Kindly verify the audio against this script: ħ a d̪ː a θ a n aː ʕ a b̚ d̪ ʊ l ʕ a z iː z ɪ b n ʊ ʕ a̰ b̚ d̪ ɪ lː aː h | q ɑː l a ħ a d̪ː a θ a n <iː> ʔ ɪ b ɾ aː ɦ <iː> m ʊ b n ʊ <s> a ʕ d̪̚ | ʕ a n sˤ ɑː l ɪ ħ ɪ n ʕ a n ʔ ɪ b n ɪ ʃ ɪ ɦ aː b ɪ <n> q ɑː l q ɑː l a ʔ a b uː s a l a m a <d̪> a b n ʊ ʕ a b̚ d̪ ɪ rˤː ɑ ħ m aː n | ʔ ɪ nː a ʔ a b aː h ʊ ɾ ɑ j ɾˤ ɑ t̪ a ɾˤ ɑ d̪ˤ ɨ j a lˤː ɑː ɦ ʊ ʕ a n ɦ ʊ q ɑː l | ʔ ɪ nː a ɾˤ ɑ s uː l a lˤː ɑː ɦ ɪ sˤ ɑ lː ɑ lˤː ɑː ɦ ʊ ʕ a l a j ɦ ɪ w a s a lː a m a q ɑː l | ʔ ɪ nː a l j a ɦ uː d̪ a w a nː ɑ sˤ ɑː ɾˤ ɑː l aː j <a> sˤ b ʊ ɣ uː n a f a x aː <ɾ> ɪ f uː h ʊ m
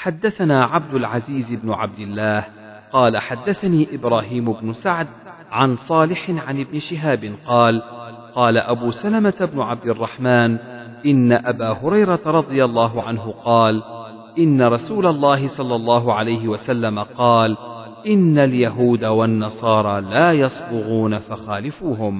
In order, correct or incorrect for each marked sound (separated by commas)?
correct, correct, correct, correct, incorrect, incorrect, incorrect